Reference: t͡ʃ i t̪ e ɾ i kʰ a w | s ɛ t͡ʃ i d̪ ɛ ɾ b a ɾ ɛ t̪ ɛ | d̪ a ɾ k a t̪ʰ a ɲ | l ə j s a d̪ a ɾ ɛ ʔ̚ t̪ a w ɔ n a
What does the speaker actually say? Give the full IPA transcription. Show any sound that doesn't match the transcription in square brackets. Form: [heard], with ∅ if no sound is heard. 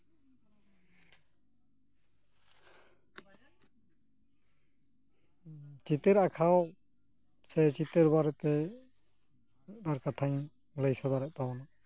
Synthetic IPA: t͡ʃ i t̪ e ɾ [a] kʰ a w | s ɛ t͡ʃ i [t̪] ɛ ɾ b a ɾ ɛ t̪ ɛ | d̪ a ɾ k a t̪ʰ a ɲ | l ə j s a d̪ a ɾ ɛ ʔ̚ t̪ a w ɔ n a